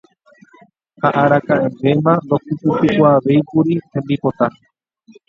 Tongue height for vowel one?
low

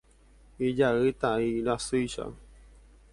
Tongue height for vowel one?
high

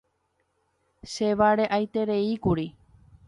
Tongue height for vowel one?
mid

